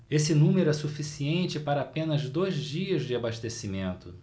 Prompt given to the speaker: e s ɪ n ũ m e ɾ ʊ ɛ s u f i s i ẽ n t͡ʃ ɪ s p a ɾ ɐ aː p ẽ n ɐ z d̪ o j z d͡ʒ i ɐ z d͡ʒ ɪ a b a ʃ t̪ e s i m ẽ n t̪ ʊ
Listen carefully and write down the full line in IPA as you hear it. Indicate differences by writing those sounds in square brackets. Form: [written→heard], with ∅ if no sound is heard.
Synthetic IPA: e s ɪ n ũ m e ɾ ʊ ɛ s u f i s i ẽ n t͡ʃ ɪ [s→∅] p a ɾ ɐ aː p ẽ n ɐ z d̪ o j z d͡ʒ i ɐ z d͡ʒ ɪ a b a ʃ t̪ e s i m ẽ n t̪ ʊ